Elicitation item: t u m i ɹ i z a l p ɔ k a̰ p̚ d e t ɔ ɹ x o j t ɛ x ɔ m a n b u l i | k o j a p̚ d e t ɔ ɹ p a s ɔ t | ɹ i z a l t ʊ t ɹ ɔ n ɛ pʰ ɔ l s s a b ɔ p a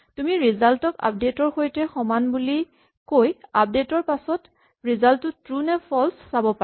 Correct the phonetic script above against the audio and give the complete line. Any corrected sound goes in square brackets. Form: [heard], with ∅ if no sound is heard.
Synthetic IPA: t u m i ɹ i z a l [t] ɔ k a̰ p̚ d e t ɔ ɹ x o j t ɛ x ɔ m a n b u l i | k o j a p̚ d e t ɔ ɹ p a s ɔ t | ɹ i z a l t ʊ t ɹ [u] n ɛ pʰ ɔ l s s a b ɔ p a